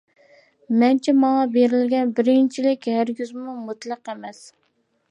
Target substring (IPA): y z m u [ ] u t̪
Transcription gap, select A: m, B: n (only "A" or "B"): A